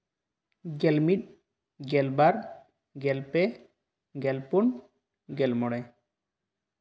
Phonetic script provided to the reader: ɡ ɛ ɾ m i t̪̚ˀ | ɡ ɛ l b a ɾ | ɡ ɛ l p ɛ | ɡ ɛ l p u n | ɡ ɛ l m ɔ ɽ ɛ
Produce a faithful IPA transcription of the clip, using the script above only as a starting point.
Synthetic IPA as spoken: ɡ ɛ l m i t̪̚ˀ | ɡ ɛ l b a ɾ | ɡ ɛ l p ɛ | ɡ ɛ l p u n | ɡ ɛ l m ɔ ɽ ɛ